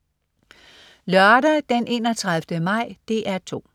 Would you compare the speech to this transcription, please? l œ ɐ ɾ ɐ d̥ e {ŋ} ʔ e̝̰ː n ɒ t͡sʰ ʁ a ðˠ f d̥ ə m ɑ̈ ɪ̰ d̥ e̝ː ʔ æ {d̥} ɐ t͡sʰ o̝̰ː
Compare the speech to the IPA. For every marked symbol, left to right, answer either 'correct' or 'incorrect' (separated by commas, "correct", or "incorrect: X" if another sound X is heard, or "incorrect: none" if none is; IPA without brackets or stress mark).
incorrect: n, incorrect: none